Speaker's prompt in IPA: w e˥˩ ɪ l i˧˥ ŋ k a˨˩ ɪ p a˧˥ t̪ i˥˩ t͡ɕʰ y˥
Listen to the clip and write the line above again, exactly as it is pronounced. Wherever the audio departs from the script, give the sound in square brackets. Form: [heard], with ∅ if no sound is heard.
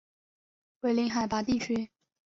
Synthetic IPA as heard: w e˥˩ ɪ l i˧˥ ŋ [x] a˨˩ ɪ p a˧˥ t̪ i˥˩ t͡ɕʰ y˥